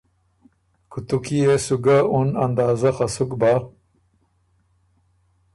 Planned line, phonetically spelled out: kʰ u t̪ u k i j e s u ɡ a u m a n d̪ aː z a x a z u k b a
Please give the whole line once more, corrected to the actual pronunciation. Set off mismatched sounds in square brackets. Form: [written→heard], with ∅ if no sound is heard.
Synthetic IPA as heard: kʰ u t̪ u k i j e s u ɡ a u [m→n] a n d̪ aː z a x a [z→s] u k b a